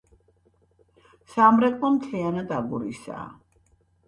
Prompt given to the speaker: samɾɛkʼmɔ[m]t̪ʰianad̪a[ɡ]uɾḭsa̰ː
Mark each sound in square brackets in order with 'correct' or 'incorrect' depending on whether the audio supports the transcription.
correct, correct

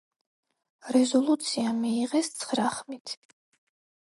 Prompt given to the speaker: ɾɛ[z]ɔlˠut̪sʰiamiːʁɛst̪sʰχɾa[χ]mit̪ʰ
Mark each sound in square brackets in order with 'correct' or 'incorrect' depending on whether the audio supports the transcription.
correct, correct

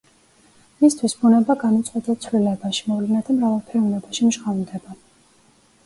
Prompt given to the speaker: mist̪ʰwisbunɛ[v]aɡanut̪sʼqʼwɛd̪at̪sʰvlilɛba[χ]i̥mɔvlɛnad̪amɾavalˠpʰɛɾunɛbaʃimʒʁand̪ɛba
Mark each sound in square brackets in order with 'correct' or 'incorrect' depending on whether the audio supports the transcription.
incorrect, incorrect

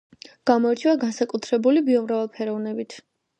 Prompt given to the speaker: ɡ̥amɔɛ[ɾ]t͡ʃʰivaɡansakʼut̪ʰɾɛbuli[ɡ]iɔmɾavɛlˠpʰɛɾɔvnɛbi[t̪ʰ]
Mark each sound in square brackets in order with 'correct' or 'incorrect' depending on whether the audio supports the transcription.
correct, incorrect, correct

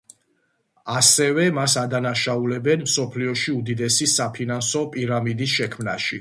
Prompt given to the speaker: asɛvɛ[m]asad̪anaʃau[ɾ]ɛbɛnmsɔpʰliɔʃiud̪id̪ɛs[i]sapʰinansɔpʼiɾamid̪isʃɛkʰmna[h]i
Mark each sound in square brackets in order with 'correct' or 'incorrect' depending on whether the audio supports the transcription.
correct, incorrect, correct, incorrect

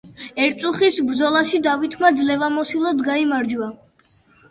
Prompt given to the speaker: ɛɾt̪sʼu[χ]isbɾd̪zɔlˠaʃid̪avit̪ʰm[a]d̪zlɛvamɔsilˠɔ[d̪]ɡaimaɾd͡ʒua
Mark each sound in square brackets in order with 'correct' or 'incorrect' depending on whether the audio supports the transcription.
correct, correct, correct

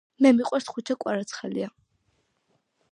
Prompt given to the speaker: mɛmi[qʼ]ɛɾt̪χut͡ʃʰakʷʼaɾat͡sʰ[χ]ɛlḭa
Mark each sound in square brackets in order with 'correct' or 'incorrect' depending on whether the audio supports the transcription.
correct, correct

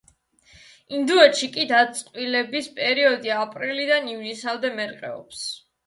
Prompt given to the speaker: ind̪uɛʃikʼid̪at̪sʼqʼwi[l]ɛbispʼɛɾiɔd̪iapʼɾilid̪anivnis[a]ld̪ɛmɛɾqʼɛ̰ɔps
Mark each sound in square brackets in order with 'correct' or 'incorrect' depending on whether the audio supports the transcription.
correct, correct

